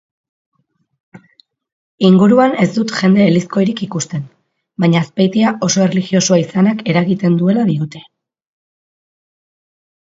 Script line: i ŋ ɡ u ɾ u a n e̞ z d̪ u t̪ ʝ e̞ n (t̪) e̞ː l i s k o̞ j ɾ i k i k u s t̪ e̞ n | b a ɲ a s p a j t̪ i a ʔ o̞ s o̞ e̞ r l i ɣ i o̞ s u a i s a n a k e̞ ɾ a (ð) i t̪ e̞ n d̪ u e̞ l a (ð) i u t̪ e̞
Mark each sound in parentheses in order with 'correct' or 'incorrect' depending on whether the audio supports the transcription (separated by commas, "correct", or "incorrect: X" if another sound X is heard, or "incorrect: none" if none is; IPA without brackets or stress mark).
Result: incorrect: d̪, incorrect: ɣ, correct